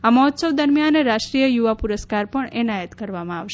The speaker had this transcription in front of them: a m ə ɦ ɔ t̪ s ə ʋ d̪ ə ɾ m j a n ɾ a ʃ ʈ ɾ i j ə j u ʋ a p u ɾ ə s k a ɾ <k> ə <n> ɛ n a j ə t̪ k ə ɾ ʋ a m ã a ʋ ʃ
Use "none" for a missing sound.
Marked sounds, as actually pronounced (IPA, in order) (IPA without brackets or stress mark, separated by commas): p, ɳ